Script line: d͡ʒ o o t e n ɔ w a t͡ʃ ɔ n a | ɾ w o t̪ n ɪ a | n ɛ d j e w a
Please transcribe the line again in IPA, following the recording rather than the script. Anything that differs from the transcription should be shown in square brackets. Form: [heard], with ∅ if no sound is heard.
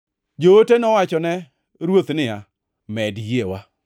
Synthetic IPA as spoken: d͡ʒ o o t e n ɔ w a t͡ʃ ɔ n [ɛ] | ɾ w o t̪ n ɪ a | [m] ɛ d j e w a